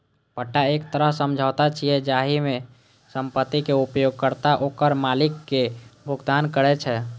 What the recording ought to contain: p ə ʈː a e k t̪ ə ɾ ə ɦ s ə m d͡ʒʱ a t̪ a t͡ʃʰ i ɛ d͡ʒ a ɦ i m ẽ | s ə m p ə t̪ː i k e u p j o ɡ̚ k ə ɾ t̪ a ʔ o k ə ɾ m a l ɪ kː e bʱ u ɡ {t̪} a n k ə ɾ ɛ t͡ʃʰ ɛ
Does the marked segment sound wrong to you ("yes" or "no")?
yes